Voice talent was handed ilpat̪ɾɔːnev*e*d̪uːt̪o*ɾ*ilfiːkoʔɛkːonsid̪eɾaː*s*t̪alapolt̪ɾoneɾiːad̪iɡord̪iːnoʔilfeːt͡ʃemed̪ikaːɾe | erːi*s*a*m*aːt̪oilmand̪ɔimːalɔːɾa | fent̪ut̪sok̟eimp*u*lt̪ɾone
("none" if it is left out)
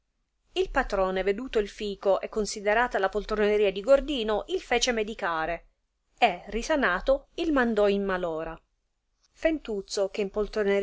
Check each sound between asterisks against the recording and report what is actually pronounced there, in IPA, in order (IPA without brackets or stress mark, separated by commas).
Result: e, none, none, s, n, o